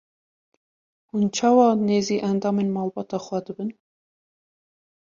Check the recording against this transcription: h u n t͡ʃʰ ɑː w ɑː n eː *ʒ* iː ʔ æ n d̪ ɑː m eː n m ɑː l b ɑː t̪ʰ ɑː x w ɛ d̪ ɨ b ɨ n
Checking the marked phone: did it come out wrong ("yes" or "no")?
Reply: yes